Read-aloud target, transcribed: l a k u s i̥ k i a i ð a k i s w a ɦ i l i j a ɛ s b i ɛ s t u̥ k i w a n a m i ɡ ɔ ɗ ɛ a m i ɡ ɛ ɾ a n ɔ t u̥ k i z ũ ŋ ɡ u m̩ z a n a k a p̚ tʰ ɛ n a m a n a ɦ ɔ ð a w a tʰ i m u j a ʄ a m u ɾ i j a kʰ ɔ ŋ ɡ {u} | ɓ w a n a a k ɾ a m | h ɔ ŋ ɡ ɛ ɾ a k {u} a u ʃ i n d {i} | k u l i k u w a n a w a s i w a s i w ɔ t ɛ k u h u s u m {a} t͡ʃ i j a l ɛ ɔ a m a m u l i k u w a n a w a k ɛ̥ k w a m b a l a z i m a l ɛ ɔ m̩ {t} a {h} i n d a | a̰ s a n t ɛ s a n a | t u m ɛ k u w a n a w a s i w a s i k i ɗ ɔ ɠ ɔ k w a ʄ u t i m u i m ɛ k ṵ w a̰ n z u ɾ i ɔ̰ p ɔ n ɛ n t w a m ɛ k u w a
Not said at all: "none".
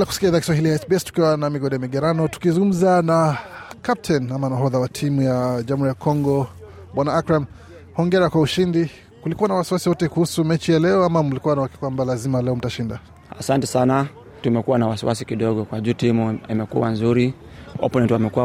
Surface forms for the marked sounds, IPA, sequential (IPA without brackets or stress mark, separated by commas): ɔ, w, i, ɛ, t, ʃ